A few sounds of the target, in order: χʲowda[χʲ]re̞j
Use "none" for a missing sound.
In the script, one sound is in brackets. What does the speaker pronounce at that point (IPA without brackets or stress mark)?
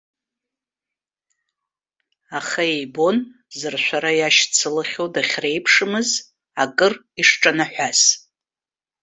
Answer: χʲ